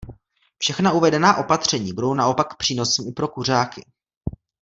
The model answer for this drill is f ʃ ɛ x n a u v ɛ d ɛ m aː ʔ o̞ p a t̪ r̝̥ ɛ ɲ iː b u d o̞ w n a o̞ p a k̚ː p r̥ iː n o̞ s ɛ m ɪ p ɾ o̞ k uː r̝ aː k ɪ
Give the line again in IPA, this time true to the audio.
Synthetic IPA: f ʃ ɛ x n a u v ɛ d ɛ n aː ʔ o̞ p a t̪ r̝̥ ɛ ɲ iː b u d o̞ w n a o̞ p a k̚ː p r̥ iː n o̞ s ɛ m ɪ p ɾ o̞ k u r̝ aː k ɪ